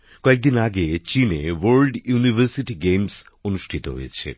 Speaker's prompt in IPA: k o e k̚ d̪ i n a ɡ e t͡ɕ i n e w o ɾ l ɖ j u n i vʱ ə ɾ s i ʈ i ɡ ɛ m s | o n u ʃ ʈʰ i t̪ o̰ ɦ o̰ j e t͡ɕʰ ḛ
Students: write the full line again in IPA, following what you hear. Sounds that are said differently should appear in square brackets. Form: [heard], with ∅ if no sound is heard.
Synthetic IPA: k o e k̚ d̪ i n a ɡ e t͡ɕ i n e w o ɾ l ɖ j u n i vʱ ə ɾ s i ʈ i ɡ [e] m s | o n u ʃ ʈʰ i t̪ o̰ ɦ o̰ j e t͡ɕʰ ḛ